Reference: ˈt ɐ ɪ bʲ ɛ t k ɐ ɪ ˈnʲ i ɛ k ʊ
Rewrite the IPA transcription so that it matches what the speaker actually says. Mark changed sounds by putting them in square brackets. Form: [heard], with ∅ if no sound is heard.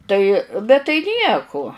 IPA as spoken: ˈt ɐ ɪ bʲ ɛ t [t] ɐ ɪ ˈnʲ i ɛ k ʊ